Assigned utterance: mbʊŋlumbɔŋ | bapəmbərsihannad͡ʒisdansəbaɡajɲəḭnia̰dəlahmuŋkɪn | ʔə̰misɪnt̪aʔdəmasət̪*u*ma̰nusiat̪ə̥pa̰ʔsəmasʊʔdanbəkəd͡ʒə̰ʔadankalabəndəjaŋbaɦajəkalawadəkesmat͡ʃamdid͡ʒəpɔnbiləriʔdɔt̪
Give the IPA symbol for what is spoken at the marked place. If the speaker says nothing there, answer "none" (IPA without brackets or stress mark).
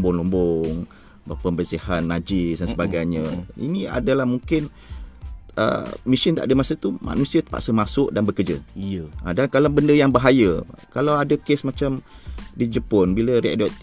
u